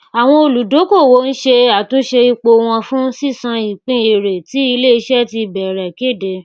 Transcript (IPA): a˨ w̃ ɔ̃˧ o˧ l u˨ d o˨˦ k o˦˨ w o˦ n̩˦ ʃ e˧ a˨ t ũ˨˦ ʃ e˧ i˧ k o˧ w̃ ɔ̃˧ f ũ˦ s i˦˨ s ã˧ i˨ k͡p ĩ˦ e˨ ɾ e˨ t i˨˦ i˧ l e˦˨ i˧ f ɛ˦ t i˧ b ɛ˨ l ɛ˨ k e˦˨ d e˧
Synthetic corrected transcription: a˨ w̃ ɔ̃˧ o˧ l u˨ d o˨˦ k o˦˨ w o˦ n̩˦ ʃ e˧ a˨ t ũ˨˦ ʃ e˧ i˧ k͡p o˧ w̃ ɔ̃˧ f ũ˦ s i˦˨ s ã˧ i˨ k͡p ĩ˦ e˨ ɾ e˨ t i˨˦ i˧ l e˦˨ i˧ ʃ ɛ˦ t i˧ b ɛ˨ ɾ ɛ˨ k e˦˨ d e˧

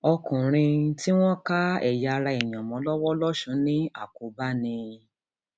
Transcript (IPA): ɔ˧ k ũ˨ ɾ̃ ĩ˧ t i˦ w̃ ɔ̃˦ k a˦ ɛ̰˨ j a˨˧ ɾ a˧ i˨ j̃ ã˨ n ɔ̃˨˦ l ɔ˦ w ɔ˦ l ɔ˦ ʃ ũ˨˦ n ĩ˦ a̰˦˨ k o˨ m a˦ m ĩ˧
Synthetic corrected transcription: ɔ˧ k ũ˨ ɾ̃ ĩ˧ t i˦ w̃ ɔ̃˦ k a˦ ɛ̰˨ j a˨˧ ɾ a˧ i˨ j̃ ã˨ m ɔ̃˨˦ l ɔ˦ w ɔ˦ l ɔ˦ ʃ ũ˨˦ n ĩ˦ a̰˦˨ k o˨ b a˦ n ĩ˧

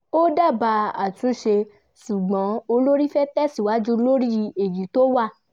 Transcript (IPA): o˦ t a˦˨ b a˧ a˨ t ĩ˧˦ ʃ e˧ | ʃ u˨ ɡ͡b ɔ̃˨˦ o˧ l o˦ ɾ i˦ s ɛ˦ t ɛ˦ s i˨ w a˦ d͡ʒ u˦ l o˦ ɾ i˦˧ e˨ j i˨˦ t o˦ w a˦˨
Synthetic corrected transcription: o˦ d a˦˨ b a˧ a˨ t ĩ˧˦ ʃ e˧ | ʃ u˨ ɡ͡b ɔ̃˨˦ o˧ l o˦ ɾ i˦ f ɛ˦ t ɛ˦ s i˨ w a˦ d͡ʒ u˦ l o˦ ɾ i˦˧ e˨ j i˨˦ t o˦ w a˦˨

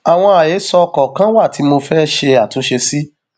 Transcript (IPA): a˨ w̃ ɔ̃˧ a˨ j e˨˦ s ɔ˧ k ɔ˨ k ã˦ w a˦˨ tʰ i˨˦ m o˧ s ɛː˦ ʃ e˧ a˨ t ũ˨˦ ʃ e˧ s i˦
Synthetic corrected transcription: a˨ w̃ ɔ̃˧ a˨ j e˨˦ s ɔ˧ k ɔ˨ k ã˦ w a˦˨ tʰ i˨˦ m o˧ f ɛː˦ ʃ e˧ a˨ t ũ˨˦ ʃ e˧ s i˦

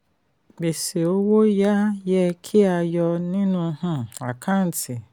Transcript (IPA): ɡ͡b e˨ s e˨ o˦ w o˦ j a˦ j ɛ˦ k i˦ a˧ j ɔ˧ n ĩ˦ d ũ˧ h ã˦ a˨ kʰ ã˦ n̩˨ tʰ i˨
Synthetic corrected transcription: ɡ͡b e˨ s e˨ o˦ w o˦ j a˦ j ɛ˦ kʰ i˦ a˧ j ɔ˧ n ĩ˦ n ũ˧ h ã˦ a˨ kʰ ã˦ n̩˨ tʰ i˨

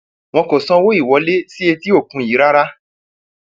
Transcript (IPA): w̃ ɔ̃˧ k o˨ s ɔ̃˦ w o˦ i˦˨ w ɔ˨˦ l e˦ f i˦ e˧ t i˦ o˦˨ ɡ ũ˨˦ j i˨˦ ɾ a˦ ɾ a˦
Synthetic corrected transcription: w̃ ɔ̃˧ k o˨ s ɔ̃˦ w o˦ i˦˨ w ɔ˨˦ l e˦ s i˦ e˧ t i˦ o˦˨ k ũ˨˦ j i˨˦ ɾ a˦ ɾ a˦

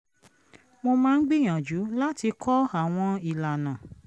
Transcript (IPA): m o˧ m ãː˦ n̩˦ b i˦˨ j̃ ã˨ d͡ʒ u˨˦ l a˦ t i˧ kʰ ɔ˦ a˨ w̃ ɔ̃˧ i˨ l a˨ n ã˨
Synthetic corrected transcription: m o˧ m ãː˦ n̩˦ ɡ͡b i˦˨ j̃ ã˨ d͡ʒ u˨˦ l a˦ t i˧ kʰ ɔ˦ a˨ w̃ ɔ̃˧ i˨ l a˨ n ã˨

